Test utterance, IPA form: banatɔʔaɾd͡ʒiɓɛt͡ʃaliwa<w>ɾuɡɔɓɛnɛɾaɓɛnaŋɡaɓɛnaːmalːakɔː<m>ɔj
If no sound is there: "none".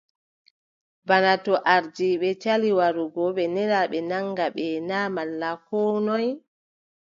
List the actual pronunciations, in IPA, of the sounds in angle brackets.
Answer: none, n

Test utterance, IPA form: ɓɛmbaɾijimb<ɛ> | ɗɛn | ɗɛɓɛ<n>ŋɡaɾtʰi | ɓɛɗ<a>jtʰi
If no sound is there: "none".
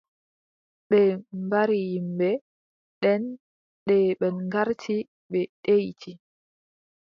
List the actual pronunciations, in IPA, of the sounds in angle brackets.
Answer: ɛ, n, e

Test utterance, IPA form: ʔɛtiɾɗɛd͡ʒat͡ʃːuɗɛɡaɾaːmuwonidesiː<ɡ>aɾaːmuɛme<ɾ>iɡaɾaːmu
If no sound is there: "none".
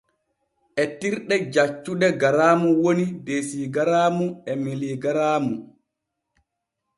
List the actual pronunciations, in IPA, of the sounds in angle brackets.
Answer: ɡ, l

